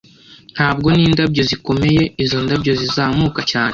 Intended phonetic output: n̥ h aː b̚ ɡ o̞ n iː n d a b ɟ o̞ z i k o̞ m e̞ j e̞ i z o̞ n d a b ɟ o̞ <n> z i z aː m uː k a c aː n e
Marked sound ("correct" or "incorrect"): incorrect